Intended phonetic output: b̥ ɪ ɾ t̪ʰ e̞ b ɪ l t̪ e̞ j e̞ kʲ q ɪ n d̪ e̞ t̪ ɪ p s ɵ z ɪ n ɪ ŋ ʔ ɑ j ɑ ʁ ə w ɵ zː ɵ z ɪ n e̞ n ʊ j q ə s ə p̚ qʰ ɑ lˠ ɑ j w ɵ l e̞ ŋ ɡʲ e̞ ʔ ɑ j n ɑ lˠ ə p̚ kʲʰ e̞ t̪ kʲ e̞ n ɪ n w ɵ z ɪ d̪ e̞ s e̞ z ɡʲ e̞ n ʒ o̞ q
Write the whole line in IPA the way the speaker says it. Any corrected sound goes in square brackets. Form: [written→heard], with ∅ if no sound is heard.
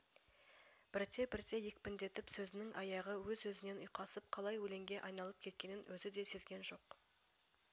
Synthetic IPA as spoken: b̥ ɪ ɾ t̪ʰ e̞ b ɪ [l→ɾ] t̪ e̞ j e̞ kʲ [q→p] ɪ n d̪ e̞ t̪ ɪ p s ɵ z ɪ n ɪ ŋ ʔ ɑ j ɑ ʁ ə w ɵ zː ɵ z ɪ n e̞ n ʊ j q [ə→ɑ] s ə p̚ qʰ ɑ lˠ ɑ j w ɵ l e̞ ŋ ɡʲ e̞ ʔ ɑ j n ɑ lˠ ə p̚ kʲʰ e̞ t̪ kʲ e̞ n ɪ n w ɵ z ɪ d̪ e̞ s e̞ z ɡʲ e̞ n ʒ o̞ q